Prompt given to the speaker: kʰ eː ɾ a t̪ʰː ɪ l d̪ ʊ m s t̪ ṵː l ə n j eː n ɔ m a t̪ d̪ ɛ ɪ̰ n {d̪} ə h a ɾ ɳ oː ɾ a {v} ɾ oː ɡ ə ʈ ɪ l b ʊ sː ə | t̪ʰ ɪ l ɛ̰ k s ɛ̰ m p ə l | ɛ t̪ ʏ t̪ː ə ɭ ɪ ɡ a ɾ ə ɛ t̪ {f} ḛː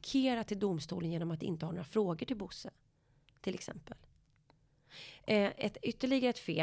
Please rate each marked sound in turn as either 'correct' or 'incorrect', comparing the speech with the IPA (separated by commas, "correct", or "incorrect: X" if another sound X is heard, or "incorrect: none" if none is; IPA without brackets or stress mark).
incorrect: t̪, incorrect: f, correct